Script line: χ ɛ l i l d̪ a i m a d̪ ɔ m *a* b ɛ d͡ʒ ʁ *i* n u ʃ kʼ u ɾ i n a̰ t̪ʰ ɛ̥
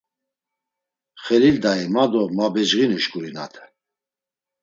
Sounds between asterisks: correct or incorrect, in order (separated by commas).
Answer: correct, correct